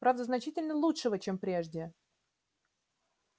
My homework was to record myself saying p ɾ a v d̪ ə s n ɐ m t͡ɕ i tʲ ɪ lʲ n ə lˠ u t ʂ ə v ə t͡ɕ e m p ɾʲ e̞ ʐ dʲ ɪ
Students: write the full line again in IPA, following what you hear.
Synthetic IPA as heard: p ɾ a v d̪ ə z n ɐ t͡ɕ i tʲ ɪ lʲ n ə lˠ u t ʂ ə v ə t͡ɕ e m p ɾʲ e̞ ʐ dʲ ɪ